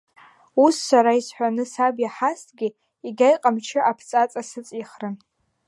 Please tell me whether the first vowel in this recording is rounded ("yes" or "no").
yes